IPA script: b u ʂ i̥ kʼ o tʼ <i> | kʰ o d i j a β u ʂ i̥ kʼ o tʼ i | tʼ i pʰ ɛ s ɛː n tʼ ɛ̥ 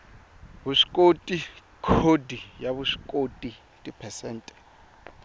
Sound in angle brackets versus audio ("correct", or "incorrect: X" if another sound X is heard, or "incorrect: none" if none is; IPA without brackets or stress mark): correct